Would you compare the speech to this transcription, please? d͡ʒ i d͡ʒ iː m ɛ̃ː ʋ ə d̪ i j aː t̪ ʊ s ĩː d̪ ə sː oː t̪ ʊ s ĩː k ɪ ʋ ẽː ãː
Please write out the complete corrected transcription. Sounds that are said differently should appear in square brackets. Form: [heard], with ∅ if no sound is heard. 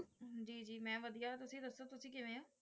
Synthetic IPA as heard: d͡ʒ [iː] d͡ʒ iː m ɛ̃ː ʋ ə d̪ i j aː t̪ ʊ s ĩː d̪ ə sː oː t̪ ʊ s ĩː k ɪ ʋ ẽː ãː